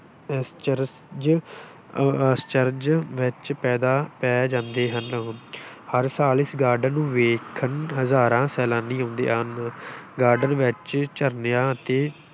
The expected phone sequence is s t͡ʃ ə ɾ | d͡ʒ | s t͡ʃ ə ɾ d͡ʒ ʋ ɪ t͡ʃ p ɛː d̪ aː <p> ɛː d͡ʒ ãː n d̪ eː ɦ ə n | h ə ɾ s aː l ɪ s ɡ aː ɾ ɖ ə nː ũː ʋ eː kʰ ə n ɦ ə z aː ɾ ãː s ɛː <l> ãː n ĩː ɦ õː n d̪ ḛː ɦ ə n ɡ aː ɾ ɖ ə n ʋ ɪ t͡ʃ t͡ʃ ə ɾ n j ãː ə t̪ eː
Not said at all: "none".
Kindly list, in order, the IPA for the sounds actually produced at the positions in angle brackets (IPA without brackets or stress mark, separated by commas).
p, l